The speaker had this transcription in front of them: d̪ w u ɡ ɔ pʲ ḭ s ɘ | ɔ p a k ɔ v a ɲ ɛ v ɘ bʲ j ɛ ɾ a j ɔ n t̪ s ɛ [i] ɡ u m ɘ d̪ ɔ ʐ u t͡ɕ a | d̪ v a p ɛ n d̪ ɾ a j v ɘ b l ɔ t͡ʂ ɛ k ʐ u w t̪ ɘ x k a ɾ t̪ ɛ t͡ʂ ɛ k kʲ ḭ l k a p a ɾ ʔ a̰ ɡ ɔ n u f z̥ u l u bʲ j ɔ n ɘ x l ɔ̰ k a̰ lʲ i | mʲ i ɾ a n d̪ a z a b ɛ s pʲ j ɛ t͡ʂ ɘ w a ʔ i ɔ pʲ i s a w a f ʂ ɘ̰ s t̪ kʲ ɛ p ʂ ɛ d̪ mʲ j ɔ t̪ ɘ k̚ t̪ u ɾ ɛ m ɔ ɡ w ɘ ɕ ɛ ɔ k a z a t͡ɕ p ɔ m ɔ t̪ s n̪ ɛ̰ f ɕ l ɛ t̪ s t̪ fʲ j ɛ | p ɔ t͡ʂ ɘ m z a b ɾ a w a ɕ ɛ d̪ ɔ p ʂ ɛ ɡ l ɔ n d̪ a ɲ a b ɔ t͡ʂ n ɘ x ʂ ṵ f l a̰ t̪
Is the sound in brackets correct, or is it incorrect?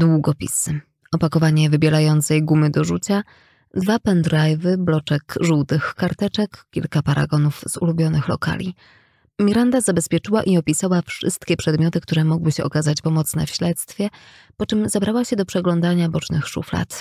incorrect: j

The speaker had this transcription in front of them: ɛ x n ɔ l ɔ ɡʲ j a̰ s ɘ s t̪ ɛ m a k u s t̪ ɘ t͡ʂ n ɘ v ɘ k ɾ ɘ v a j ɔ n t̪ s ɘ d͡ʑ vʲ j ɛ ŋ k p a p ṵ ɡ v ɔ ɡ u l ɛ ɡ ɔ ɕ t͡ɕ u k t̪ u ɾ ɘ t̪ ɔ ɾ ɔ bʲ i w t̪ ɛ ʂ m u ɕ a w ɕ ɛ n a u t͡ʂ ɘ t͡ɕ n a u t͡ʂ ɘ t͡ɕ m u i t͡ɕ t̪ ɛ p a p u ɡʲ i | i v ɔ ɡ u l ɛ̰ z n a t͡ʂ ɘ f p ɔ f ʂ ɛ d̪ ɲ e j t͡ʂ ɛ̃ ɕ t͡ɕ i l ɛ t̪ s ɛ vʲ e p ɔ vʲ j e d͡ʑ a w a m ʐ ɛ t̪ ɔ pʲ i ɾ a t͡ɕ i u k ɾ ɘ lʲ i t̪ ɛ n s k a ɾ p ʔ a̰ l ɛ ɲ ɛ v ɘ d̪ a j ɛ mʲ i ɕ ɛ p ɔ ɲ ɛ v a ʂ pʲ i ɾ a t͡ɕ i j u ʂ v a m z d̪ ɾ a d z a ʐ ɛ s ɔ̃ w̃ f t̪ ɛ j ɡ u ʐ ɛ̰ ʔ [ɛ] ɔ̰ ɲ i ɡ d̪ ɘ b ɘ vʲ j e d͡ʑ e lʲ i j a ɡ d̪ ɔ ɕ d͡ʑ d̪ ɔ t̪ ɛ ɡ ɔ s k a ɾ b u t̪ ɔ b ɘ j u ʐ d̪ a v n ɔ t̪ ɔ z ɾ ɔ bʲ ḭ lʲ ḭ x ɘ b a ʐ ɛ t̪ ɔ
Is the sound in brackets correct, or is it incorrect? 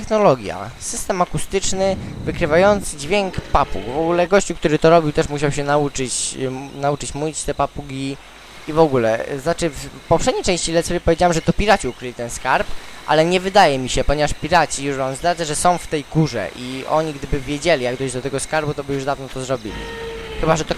incorrect: i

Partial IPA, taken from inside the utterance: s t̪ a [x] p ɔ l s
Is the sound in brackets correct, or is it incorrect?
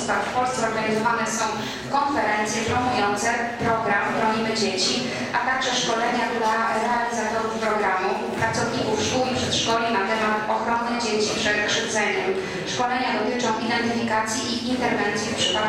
incorrect: f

